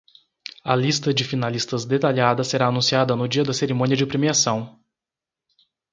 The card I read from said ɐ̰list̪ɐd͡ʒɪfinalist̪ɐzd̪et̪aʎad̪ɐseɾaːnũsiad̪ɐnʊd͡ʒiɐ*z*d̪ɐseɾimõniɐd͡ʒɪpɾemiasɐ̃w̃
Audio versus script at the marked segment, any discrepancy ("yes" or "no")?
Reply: yes